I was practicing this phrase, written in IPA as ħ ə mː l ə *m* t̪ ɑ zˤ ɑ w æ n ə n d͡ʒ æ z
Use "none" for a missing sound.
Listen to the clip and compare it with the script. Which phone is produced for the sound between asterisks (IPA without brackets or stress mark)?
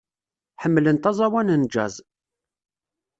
n